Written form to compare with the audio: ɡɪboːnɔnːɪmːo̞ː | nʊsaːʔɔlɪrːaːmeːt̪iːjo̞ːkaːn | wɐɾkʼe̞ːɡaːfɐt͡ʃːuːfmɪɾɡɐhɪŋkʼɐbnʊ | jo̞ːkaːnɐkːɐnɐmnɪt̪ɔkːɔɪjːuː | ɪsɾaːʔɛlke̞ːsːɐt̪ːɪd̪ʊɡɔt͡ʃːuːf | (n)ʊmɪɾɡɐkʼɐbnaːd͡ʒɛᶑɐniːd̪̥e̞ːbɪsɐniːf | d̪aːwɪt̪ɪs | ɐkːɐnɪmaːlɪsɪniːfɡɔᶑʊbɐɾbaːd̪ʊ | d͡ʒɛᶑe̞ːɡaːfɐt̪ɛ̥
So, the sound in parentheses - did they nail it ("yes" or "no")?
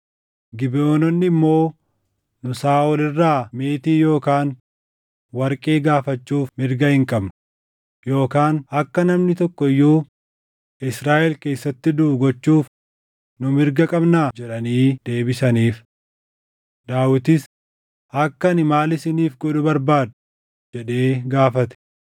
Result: yes